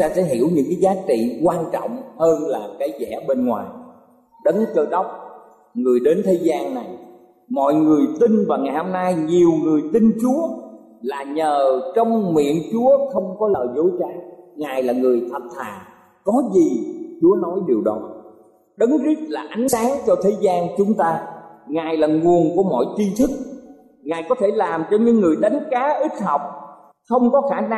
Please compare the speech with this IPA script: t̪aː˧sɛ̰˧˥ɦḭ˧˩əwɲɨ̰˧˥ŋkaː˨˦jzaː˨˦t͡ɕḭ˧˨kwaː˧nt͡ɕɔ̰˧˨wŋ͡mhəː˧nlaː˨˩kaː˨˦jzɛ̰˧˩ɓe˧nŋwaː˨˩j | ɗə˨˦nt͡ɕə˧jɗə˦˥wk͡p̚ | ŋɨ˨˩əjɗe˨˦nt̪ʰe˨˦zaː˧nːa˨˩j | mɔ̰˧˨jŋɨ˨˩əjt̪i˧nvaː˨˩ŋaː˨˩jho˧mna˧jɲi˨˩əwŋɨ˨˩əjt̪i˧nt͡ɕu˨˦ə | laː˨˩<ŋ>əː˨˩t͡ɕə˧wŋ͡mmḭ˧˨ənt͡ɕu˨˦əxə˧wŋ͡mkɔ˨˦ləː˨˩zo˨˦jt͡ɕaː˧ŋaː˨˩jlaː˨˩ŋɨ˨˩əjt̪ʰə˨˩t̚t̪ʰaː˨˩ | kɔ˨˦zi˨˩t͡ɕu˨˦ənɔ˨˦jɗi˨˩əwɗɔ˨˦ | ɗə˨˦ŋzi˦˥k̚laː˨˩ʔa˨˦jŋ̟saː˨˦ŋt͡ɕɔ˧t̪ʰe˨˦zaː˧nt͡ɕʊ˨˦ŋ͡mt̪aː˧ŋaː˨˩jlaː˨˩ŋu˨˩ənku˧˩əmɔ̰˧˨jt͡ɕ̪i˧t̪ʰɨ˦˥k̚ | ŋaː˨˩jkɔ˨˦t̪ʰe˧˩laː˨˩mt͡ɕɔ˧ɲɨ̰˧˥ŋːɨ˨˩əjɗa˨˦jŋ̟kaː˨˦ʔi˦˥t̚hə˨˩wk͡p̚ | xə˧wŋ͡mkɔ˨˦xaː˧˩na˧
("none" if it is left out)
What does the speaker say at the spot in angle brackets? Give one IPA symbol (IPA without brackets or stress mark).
ɲ